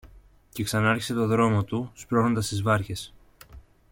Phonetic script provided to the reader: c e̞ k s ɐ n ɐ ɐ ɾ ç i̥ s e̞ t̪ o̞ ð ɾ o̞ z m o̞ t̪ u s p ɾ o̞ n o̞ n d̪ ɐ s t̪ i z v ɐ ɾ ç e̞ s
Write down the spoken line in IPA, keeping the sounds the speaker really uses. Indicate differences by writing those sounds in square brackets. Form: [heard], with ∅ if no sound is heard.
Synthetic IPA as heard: c e̞ k s ɐ n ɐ ɐ ɾ ç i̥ s e̞ t̪ o̞ ð ɾ o̞ [∅] m o̞ t̪ u s p ɾ o̞ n o̞ n d̪ ɐ s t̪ i z v ɐ ɾ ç e̞ s